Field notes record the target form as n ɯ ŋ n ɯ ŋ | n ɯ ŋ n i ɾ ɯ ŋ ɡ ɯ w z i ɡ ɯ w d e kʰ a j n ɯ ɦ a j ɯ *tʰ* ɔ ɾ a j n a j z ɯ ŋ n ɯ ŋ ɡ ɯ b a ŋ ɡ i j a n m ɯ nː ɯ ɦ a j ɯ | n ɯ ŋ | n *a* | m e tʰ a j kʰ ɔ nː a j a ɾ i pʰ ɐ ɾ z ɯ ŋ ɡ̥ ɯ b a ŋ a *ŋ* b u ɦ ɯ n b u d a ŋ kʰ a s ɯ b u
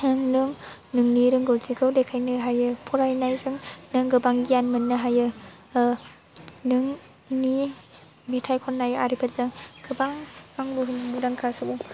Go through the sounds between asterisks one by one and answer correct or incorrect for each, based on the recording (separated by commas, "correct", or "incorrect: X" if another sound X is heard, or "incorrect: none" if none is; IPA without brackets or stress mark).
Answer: incorrect: pʰ, incorrect: i, correct